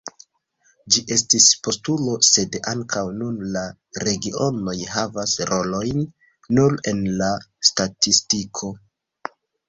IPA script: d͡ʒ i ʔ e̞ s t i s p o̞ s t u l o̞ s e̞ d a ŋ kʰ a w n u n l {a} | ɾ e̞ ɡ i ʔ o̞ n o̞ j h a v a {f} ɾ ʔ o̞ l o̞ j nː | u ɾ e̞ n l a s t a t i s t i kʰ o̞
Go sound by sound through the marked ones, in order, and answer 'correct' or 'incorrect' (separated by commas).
correct, incorrect